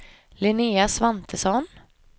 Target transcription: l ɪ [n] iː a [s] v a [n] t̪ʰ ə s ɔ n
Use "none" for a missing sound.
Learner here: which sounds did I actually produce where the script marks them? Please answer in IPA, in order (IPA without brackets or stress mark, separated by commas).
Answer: n, s, n